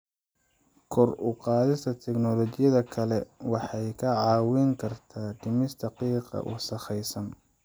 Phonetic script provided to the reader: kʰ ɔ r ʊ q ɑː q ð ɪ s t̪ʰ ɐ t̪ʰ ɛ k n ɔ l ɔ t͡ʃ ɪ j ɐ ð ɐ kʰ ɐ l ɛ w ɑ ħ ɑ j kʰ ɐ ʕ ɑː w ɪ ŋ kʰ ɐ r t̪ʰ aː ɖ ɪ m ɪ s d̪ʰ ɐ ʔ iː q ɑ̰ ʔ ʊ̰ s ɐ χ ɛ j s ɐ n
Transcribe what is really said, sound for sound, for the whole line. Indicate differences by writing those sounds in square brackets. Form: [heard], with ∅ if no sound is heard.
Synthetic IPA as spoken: kʰ ɔ r ʊ q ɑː [∅] ð ɪ s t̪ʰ ɐ t̪ʰ ɛ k n ɔ l ɔ t͡ʃ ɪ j ɐ ð ɐ kʰ ɐ l ɛ w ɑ ħ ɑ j kʰ ɐ ʕ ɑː w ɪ ŋ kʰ ɐ r t̪ʰ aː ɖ ɪ m ɪ s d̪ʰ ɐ [q] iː q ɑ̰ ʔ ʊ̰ s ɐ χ ɛ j s ɐ n